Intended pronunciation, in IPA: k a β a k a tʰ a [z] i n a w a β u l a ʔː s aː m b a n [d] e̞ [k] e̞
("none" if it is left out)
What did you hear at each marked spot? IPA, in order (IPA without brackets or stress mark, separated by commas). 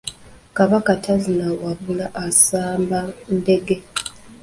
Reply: z, d, ɡ